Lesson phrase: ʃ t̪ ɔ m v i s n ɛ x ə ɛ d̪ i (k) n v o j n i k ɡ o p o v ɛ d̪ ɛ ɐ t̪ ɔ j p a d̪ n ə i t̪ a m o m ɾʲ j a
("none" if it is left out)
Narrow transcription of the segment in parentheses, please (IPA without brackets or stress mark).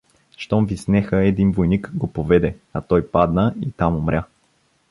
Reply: none